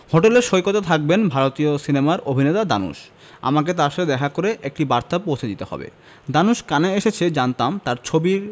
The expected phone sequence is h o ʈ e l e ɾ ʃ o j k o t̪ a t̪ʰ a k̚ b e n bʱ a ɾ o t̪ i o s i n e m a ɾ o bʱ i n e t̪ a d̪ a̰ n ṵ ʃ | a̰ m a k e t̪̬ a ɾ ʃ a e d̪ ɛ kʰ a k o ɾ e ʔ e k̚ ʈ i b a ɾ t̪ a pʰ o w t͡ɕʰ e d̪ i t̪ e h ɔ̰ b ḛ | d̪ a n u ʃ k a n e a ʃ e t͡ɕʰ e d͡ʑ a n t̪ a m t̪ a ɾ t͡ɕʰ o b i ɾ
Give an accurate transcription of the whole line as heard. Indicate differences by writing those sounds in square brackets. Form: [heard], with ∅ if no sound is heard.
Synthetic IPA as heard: h o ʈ e l e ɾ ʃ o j k o t̪ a t̪ʰ a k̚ b e n bʱ a ɾ o t̪ i o s i n e m a ɾ o bʱ i n e t̪ a d̪ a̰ n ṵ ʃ | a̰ m a k e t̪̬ a ɾ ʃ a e d̪ ɛ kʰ a k o ɾ e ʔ e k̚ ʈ i b a ɾ t̪ a [p] o w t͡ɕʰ e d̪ i t̪ e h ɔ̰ b ḛ | d̪ a n u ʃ k a n e [e] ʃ e t͡ɕʰ e d͡ʑ a n t̪ a m t̪ a ɾ t͡ɕʰ o b i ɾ